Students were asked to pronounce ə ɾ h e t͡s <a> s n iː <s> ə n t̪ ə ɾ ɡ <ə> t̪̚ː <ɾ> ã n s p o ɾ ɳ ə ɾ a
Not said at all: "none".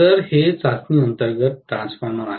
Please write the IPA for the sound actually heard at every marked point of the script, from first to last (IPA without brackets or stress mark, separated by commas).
a, none, ə, ɾ